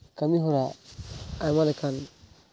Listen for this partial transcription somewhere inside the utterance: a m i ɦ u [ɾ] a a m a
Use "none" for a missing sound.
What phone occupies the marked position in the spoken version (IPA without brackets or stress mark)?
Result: ɾ